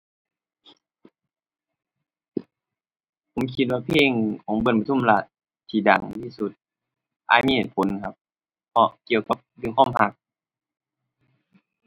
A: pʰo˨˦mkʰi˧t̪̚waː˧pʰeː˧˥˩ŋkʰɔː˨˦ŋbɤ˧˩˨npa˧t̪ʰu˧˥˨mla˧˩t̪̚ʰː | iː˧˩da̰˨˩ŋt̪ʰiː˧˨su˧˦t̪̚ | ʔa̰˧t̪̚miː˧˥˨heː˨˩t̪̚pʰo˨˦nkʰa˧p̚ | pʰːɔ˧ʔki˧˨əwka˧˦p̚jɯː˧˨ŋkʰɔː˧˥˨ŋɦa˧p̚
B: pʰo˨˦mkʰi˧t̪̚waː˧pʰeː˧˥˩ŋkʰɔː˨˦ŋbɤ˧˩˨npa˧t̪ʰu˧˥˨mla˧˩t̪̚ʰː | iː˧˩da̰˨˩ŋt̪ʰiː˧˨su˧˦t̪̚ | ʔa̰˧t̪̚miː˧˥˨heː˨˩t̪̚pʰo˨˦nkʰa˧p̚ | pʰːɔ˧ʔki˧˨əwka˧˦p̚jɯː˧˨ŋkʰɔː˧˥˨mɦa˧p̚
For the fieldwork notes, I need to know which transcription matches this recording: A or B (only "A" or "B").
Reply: B